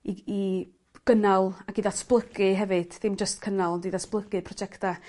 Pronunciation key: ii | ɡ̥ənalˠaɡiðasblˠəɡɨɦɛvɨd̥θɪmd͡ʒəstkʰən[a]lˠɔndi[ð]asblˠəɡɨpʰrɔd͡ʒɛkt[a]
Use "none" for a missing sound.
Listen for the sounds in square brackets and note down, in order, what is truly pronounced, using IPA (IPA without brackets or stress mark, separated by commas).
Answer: a, ð, a